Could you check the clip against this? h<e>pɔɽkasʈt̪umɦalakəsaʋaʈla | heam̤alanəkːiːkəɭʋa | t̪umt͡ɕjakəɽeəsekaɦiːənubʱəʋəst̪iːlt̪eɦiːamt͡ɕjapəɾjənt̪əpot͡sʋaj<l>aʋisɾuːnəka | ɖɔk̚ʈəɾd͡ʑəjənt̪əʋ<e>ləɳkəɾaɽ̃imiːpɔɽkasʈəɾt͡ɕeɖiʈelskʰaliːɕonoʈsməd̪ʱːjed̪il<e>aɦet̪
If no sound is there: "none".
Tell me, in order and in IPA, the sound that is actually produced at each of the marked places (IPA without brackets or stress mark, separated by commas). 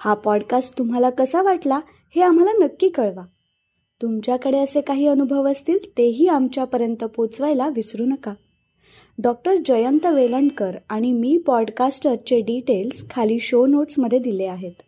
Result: a, l, e, e